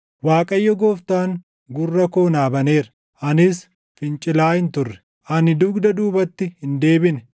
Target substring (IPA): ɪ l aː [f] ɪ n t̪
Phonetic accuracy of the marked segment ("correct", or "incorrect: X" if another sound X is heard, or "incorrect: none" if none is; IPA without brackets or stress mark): incorrect: h